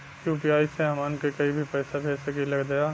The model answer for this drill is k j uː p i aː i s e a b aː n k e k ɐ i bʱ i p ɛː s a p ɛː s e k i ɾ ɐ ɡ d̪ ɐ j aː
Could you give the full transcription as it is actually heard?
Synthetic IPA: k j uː p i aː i s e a m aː n k e k ɐ i bʱ i p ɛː s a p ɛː s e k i l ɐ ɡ d̪ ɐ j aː